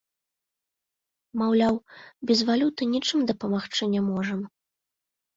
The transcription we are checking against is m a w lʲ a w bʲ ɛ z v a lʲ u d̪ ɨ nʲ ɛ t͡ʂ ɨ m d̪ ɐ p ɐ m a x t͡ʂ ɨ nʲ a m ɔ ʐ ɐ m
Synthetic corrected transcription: m a w lʲ a w bʲ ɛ z v a lʲ u t̪ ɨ nʲ i t͡ʂ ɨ m d̪ ɐ p ɐ m a x t͡ʂ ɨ nʲ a m ɔ ʐ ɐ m

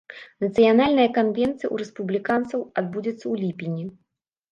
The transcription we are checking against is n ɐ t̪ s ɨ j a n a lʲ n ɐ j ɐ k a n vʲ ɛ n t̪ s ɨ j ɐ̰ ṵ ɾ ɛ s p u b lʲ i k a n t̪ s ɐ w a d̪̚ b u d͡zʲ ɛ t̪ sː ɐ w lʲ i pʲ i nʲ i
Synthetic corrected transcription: n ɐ t̪ s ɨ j a n a lʲ n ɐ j ɐ k a n vʲ ɛ n t̪ s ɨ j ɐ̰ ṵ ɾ ɛ s p u b lʲ i k a n t̪ s ɐ w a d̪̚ b u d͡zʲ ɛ t̪ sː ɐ w lʲ i pʲ i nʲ i

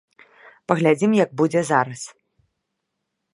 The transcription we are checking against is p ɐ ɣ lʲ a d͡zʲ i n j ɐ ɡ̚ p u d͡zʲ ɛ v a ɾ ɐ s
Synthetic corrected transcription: p ɐ ɣ lʲ a d͡zʲ i m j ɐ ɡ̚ b u d͡zʲ ɛ z a ɾ ɐ s

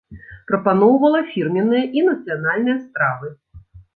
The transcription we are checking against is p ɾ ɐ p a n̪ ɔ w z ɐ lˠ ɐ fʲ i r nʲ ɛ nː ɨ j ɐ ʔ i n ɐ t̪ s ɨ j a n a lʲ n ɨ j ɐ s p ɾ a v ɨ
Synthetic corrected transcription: p ɾ ɐ p a n̪ ɔ w v ɐ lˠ ɐ fʲ i r mʲ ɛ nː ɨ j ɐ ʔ i n ɐ t̪ s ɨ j a n a lʲ n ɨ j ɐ s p ɾ a v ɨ

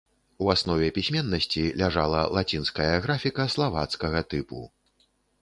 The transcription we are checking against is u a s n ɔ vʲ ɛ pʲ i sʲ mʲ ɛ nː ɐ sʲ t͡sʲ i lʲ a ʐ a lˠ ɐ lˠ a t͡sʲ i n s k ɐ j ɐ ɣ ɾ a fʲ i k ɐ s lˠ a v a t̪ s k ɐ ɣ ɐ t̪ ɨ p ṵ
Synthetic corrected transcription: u a s n ɔ vʲ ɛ pʲ i sʲ mʲ ɛ nː ɐ sʲ t͡sʲ i lʲ a ʐ a lˠ ɐ lˠ a t͡sʲ i n s k ɐ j ɐ ɣ ɾ a fʲ i k ɐ s lˠ a v a t̪ s k ɐ ɣ ɐ t̪ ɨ p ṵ

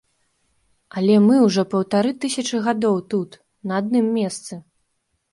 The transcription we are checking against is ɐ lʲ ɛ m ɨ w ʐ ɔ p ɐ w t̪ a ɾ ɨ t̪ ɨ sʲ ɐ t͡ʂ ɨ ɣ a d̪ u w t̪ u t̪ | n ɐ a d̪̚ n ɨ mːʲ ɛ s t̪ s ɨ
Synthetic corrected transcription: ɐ lʲ ɛ m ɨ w ʐ ɔ p ɐ w t̪ a ɾ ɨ t̪ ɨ sʲ ɐ t͡ʂ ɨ ɣ a d̪ ɔ w t̪ u t̪ | n ɐ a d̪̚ n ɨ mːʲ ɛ s t̪ s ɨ

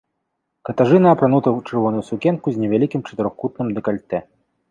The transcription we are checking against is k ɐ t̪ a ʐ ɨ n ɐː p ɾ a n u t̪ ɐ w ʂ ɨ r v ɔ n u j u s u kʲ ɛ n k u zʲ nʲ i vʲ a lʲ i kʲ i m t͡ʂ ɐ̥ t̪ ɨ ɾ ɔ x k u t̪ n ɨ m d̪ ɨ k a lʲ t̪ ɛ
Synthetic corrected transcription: k ɐ t̪ a ʐ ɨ n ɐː p ɾ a n u t̪ ɐ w t͡ʂ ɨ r v ɔ n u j u s u kʲ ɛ n k u zʲ nʲ ɛ vʲ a lʲ i kʲ i m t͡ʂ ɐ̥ t̪ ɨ ɾ ɔ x k u t̪ n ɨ m d̪ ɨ k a lʲ t̪ ɛ

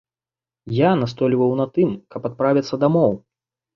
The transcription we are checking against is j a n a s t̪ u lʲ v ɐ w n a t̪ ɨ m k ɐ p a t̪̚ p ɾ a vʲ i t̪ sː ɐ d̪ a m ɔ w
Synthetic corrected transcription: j a n a s t̪ ɔ lʲ v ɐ w n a t̪ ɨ m k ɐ p a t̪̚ p ɾ a vʲ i t̪ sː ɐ d̪ a m ɔ w

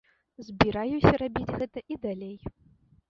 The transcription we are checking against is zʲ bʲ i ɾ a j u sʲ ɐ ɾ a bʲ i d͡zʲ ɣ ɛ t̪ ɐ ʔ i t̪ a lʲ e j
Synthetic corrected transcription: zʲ bʲ i ɾ a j u sʲ ɐ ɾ a bʲ i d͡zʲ ɣ ɛ t̪ ɐ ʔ i d̪ a lʲ e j

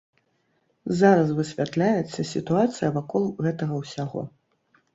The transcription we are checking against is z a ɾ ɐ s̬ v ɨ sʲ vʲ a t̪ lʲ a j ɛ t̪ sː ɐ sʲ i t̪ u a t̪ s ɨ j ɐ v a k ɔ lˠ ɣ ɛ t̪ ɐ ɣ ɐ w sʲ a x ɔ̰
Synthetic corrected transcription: z a ɾ ɐ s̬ v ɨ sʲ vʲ a t̪ lʲ a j ɛ t̪ sː ɐ sʲ i t̪ u a t̪ s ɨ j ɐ v a k ɔ lˠ ɣ ɛ t̪ ɐ ɣ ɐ w sʲ a ɣ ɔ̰

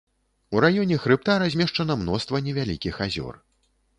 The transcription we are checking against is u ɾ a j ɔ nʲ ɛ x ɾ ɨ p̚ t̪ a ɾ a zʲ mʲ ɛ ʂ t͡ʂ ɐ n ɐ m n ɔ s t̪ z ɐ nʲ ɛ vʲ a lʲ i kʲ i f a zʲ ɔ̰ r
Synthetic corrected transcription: u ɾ a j ɔ nʲ ɛ x ɾ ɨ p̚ t̪ a ɾ a zʲ mʲ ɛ ʂ t͡ʂ ɐ n ɐ m n ɔ s t̪ v ɐ nʲ ɛ vʲ a lʲ i kʲ i x a zʲ ɔ̰ r

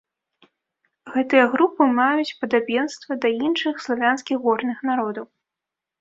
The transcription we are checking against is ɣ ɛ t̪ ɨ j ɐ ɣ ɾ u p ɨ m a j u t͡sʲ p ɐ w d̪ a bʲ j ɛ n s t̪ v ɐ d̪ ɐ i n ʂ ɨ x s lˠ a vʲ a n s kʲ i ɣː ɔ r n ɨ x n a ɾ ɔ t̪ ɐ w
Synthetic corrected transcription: ɣ ɛ t̪ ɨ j ɐ ɣ ɾ u p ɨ m a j u t͡sʲ p ɐ d̪ a bʲ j ɛ n s t̪ v ɐ d̪ ɐ i n ʂ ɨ x s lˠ a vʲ a n s kʲ i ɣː ɔ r n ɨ x n a ɾ ɔ d̪ ɐ w

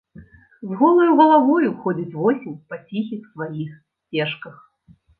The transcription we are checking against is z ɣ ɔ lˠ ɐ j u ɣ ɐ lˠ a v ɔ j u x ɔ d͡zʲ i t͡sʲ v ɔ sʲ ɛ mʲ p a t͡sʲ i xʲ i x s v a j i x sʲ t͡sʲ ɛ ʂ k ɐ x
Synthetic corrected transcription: z ɣ ɔ lˠ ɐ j u ɣ ɐ lˠ a v ɔ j u x ɔ d͡zʲ i t͡sʲ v ɔ sʲ i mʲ p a t͡sʲ i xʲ i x s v a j i x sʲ t͡sʲ ɛ ʂ k ɐ x

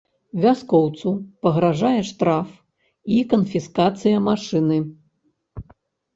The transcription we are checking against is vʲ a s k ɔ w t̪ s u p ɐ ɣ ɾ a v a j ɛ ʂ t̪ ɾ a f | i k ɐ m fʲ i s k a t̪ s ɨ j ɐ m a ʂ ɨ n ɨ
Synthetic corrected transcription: vʲ a s k ɔ w t̪ s u p ɐ ɣ ɾ a ʐ a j ɛ ʂ t̪ ɾ a f | i k ɐ n fʲ i s k a t̪ s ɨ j ɐ m a ʂ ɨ n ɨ

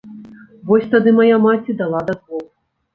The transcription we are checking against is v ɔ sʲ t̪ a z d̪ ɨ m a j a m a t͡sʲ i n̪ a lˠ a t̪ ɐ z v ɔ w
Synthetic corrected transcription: v ɔ sʲ t̪ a d̪ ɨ m a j a m a t͡sʲ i d̪ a lˠ a d̪ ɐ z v ɔ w

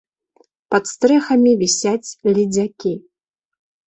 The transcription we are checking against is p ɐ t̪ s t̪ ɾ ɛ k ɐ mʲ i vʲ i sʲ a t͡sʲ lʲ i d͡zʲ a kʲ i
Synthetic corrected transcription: p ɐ t̪ s t̪ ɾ ɛ x ɐ mʲ i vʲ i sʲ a t͡sʲ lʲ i d͡zʲ a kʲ i

